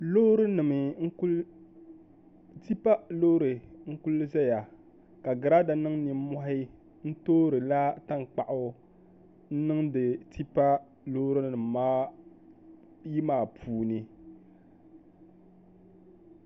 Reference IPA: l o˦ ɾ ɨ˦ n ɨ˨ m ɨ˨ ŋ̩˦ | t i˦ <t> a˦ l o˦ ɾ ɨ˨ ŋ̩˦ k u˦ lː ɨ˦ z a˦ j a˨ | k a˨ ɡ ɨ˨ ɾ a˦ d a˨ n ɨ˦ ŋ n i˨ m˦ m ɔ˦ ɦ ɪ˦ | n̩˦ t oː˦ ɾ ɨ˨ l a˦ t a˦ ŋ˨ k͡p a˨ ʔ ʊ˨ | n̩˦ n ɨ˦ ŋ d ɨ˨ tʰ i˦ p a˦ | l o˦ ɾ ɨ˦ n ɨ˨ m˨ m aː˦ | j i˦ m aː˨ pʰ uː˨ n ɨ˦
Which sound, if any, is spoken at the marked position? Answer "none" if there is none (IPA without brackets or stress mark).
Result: p